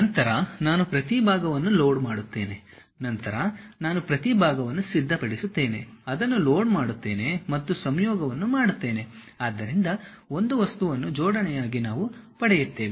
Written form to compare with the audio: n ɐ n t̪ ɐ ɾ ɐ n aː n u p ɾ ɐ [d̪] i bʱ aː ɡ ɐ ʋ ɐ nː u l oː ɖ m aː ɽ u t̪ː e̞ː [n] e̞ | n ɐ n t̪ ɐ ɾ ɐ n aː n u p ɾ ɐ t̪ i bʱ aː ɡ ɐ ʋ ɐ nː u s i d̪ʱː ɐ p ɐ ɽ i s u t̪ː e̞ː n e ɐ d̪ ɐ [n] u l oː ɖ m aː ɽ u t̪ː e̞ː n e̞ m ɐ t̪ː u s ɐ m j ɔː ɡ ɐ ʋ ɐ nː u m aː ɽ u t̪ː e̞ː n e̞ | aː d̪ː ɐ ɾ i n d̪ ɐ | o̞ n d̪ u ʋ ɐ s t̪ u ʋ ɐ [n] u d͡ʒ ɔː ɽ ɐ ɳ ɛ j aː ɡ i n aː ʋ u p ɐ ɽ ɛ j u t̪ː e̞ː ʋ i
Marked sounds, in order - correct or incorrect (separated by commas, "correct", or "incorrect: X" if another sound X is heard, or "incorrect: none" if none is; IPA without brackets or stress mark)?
incorrect: t̪, correct, incorrect: nː, incorrect: nː